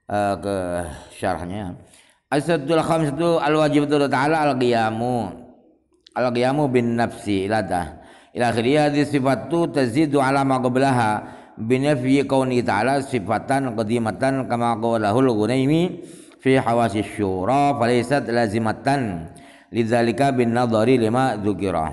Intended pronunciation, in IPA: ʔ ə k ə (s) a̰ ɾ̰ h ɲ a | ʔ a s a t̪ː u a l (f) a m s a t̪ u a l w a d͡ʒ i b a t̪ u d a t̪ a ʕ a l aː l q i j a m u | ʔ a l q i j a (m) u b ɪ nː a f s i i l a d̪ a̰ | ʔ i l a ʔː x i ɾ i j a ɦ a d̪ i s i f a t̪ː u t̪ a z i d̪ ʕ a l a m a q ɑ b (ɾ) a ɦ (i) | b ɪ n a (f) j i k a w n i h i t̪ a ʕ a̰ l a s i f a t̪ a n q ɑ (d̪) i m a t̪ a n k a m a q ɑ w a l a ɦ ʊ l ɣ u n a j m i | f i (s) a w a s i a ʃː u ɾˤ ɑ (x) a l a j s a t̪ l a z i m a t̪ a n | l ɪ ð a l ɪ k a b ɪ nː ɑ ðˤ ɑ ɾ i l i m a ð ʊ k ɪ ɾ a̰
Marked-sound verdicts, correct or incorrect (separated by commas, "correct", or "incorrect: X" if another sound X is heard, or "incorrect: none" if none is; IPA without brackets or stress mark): incorrect: ʃ, incorrect: x, correct, incorrect: l, incorrect: a, correct, correct, incorrect: ħ, incorrect: f